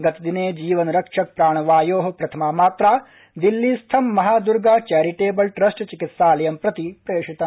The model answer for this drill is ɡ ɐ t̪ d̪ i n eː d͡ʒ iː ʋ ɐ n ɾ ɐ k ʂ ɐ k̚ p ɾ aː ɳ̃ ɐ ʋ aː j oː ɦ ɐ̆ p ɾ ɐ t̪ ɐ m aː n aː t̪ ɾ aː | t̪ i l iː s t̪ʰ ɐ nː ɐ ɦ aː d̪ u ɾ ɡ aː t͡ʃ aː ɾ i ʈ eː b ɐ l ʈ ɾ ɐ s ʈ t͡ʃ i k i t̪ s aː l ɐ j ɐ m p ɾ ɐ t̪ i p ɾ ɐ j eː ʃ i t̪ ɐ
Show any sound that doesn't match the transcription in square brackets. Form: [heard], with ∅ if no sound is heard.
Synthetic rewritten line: ɡ ɐ t̪ d̪ i n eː d͡ʒ iː ʋ ɐ n ɾ ɐ k ʂ ɐ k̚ p ɾ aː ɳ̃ ɐ ʋ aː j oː ɦ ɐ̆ p ɾ ɐ [t̪ʰ] ɐ m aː [m] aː t̪ ɾ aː | [d̪] i [lː] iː s t̪ʰ ɐ [mː] ɐ ɦ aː d̪ u ɾ ɡ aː t͡ʃ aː ɾ i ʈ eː b ɐ l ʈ ɾ ɐ s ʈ t͡ʃ i k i t̪ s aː l ɐ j ɐ m p ɾ ɐ t̪ i p ɾ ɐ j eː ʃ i t̪ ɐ

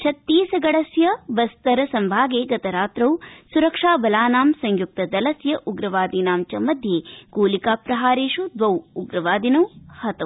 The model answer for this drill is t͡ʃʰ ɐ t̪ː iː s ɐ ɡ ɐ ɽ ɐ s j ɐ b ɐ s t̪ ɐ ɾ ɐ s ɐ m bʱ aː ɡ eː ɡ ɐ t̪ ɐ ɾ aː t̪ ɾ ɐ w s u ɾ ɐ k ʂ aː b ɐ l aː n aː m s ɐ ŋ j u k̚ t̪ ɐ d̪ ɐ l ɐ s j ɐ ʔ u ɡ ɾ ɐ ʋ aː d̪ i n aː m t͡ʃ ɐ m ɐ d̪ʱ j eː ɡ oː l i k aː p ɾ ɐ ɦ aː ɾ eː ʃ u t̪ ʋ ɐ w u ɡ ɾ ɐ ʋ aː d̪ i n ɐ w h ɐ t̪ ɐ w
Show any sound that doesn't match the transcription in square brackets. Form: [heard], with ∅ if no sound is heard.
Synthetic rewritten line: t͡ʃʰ ɐ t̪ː iː s ɐ ɡ ɐ ɽ ɐ s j ɐ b ɐ s t̪ ɐ ɾ ɐ s ɐ m bʱ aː ɡ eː ɡ ɐ t̪ ɐ ɾ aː t̪ ɾ ɐ w s u ɾ ɐ k ʂ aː b ɐ l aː n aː m s ɐ ŋ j u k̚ t̪ ɐ d̪ ɐ l ɐ s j ɐ ʔ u ɡ ɾ ɐ ʋ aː d̪ i n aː m t͡ʃ ɐ m ɐ d̪ʱ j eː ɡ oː l i k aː p ɾ ɐ ɦ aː ɾ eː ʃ u [d̪] ʋ ɐ w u ɡ ɾ ɐ ʋ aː d̪ i n ɐ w h ɐ t̪ ɐ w

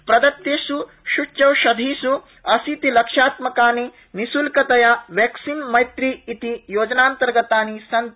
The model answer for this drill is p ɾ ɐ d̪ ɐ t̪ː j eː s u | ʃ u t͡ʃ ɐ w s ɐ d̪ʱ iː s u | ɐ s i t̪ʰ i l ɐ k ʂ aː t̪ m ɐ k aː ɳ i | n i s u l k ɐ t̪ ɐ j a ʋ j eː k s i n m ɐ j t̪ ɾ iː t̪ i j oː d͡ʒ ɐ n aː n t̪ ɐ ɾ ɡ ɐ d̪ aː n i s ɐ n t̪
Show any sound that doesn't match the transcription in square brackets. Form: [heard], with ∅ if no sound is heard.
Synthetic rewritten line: p ɾ ɐ d̪ ɐ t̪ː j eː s u | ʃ u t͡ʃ ɐ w [ʃ] ɐ d̪ʱ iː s u | ɐ s i [t̪] i l ɐ k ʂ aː t̪ m ɐ k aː [n] i | n i s u l k ɐ t̪ ɐ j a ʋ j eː k s i n m ɐ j t̪ ɾ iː t̪ i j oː d͡ʒ ɐ n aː n t̪ ɐ ɾ ɡ ɐ [t̪] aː n i s ɐ n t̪

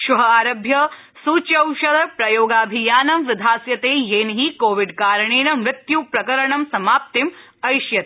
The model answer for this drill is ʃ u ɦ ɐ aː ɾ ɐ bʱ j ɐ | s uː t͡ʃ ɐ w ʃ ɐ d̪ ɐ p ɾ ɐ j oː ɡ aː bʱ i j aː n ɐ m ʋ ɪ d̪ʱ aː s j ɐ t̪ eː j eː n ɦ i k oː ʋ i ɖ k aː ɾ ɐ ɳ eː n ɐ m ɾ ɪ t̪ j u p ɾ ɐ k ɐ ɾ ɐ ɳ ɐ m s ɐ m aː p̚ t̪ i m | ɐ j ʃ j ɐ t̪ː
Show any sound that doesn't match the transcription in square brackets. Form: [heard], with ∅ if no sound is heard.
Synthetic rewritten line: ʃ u ɦ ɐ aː ɾ ɐ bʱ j ɐ | s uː t͡ʃ ɐ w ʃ ɐ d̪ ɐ p ɾ ɐ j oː ɡ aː bʱ i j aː n ɐ m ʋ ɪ d̪ʱ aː s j ɐ t̪ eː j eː n ɦ i k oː ʋ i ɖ k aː ɾ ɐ ɳ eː n ɐ m ɾ ɪ t̪ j u p ɾ ɐ k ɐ ɾ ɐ ɳ ɐ m s ɐ m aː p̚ t̪ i m | ɐ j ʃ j ɐ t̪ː

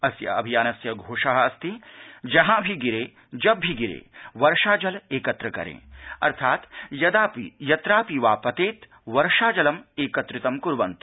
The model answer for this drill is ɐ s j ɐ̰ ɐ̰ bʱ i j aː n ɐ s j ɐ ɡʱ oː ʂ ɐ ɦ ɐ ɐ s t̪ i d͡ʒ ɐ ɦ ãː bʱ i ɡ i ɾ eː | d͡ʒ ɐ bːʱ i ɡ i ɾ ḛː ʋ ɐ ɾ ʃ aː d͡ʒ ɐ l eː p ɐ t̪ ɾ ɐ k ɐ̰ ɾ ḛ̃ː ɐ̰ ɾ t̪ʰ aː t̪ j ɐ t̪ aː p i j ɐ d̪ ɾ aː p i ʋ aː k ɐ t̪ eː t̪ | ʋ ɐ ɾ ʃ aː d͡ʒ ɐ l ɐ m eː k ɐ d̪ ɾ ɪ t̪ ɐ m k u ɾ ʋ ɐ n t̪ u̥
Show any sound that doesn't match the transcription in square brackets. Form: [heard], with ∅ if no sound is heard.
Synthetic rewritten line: ɐ s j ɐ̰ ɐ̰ bʱ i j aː n ɐ s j ɐ ɡʱ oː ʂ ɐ ɦ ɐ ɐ s t̪ i d͡ʒ ɐ ɦ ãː bʱ i ɡ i ɾ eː | d͡ʒ ɐ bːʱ i ɡ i ɾ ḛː ʋ ɐ ɾ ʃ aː d͡ʒ ɐ l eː [k] ɐ t̪ ɾ ɐ k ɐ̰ ɾ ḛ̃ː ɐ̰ ɾ t̪ʰ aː t̪ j ɐ [d̪] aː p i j ɐ [t̪] ɾ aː p i ʋ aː [p] ɐ t̪ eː t̪ | ʋ ɐ ɾ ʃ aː d͡ʒ ɐ l ɐ m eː k ɐ [t̪] ɾ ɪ t̪ ɐ m k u ɾ ʋ ɐ n t̪ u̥

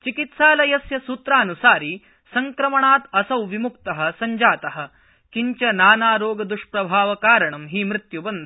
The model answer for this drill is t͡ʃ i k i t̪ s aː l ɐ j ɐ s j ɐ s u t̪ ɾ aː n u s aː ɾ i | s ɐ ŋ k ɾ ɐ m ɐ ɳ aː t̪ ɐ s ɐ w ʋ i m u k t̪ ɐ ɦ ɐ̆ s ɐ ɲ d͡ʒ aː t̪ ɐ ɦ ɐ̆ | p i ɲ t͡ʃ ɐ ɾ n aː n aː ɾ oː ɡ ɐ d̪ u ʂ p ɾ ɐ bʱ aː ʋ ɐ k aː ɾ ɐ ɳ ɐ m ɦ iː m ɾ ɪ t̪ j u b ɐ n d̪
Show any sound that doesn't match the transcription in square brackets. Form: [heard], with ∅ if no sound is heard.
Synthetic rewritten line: t͡ʃ i k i t̪ s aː l ɐ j ɐ s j ɐ s u t̪ ɾ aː n u s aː ɾ i | s ɐ ŋ k ɾ ɐ m ɐ ɳ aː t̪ ɐ s ɐ w ʋ i m u k t̪ ɐ ɦ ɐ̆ s ɐ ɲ d͡ʒ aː t̪ ɐ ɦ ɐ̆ | [k] i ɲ t͡ʃ ɐ [∅] n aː n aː ɾ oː ɡ ɐ d̪ u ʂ p ɾ ɐ bʱ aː ʋ ɐ k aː ɾ ɐ ɳ ɐ m ɦ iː m ɾ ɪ t̪ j u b ɐ n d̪

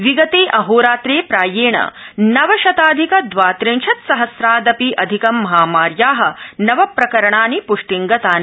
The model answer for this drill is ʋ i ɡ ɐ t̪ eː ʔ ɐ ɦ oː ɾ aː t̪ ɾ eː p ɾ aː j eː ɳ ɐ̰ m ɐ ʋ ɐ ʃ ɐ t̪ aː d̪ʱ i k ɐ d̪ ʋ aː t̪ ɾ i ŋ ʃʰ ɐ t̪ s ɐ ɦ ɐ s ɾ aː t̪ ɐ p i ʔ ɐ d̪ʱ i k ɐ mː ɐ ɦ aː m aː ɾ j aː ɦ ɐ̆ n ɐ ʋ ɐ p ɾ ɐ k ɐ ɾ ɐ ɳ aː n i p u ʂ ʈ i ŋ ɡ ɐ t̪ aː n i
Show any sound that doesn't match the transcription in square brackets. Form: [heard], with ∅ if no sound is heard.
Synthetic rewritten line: ʋ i ɡ ɐ t̪ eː ʔ ɐ ɦ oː ɾ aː t̪ ɾ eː p ɾ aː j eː ɳ ɐ̰ [n] ɐ ʋ ɐ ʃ ɐ t̪ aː d̪ʱ i k ɐ d̪ ʋ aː t̪ ɾ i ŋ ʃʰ ɐ t̪ s ɐ ɦ ɐ s ɾ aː [d̪] ɐ p i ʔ ɐ d̪ʱ i k ɐ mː ɐ ɦ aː m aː ɾ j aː ɦ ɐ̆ n ɐ ʋ ɐ p ɾ ɐ k ɐ ɾ ɐ ɳ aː n i p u ʂ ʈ i ŋ ɡ ɐ t̪ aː n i

